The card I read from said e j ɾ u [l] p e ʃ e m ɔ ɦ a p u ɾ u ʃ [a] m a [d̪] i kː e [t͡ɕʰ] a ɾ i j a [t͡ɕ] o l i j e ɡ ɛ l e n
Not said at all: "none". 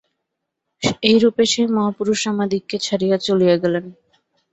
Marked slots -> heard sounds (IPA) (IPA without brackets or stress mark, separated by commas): none, a, d̪, t͡ɕʰ, t͡ɕ